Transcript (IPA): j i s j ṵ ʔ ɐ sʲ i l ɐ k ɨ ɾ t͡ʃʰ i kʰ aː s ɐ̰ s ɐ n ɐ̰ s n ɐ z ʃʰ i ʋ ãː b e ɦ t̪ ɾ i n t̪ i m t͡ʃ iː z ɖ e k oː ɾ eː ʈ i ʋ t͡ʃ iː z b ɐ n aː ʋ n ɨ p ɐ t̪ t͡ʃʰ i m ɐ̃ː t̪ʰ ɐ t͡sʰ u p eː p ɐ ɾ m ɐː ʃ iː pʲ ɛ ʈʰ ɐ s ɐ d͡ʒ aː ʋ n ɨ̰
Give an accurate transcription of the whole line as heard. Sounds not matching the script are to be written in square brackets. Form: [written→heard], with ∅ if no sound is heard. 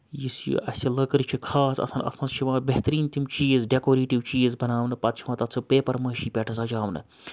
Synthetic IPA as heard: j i s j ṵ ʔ ɐ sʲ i l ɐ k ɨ ɾ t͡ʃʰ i kʰ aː s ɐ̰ s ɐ n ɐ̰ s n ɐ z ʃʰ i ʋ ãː b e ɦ t̪ ɾ [i→iː] n t̪ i m t͡ʃ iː z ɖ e k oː ɾ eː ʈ i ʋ t͡ʃ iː z b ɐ n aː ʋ n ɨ p ɐ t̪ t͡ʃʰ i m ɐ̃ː [t̪ʰ→t̪] ɐ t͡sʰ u p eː p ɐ ɾ m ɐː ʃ iː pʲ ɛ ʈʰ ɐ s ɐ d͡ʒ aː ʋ n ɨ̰